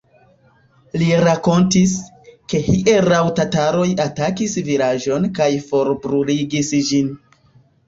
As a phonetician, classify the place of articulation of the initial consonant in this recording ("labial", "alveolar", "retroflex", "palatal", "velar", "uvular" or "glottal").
alveolar